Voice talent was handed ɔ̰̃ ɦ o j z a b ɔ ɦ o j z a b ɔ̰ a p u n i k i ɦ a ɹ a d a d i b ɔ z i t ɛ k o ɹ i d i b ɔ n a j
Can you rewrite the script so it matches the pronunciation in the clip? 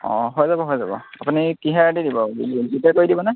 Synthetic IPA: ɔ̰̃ ɦ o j z a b ɔ ɦ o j z a b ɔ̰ a p u n i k i ɦ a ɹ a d i d i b ɔ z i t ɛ k o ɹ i d i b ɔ n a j